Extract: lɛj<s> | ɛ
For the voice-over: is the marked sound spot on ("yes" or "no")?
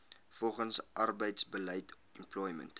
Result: no